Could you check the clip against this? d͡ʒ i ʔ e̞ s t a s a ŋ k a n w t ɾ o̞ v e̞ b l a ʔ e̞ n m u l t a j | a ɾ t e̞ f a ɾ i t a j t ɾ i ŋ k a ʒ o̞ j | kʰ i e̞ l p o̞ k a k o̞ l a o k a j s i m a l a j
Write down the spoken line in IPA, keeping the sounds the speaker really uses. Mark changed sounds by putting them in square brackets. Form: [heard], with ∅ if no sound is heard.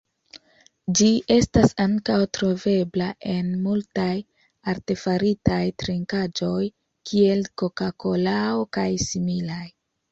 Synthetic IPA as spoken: d͡ʒ i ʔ e̞ s t a s a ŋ k a [∅] w t ɾ o̞ v e̞ b l a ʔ e̞ n m u l t a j | a ɾ t e̞ f a ɾ i t a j t ɾ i ŋ k a [d͡ʒ] o̞ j | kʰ i e̞ l [k] o̞ k a k o̞ l a o k a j s i m [i] l a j